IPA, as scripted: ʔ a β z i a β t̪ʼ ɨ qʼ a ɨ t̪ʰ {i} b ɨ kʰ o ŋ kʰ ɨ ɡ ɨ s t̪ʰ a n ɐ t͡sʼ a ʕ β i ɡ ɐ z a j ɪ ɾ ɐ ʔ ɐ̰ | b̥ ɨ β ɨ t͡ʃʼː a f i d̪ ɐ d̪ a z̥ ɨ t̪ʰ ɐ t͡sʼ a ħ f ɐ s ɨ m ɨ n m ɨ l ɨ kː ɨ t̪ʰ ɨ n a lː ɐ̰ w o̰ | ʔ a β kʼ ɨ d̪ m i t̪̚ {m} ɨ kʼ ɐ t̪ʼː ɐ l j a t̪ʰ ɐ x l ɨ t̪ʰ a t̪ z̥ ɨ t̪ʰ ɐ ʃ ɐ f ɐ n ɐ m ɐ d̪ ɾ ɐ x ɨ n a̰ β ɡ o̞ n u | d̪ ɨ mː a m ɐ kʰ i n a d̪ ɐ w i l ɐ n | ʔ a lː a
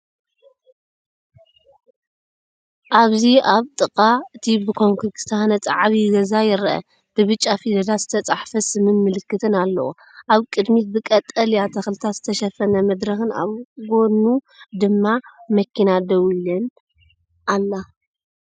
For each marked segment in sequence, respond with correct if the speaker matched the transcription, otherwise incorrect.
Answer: correct, incorrect: b

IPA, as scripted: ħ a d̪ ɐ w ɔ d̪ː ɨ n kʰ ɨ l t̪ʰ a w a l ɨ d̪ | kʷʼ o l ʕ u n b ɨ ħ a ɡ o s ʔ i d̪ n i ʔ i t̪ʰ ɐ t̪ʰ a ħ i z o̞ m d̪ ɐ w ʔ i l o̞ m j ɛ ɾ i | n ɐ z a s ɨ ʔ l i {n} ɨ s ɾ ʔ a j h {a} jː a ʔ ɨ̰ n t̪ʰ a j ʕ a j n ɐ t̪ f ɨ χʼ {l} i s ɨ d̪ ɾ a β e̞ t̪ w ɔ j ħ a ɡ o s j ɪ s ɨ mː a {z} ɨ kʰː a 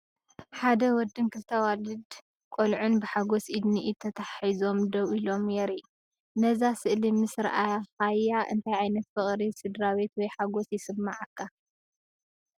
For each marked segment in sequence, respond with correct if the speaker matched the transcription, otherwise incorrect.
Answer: incorrect: m, correct, incorrect: ɾ, incorrect: ʕ

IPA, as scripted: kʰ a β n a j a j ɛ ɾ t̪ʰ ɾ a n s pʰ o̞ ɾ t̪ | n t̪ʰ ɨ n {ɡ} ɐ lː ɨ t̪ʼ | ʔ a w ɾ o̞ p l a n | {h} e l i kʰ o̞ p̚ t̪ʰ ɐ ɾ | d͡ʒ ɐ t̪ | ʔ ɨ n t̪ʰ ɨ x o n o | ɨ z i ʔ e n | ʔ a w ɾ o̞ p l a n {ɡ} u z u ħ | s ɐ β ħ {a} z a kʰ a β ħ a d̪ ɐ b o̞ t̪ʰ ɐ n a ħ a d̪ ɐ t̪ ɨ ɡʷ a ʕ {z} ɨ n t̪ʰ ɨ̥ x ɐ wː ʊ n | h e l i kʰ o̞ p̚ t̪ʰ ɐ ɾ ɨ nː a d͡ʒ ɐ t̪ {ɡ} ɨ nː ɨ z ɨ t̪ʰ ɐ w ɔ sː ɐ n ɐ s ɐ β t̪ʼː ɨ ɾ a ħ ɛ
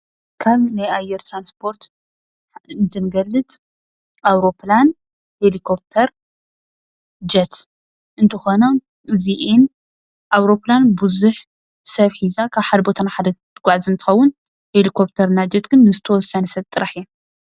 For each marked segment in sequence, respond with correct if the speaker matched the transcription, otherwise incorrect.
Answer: correct, correct, incorrect: b, incorrect: i, correct, correct

